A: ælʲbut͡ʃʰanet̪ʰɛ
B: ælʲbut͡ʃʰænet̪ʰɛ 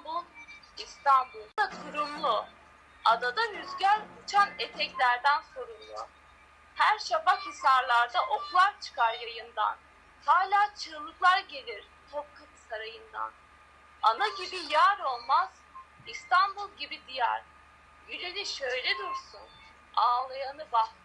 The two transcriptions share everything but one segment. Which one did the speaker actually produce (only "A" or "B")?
A